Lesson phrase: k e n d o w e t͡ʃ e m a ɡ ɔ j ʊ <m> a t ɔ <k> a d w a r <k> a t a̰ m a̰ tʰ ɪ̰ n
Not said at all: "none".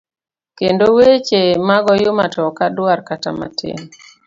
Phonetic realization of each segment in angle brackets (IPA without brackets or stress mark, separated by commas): m, k, k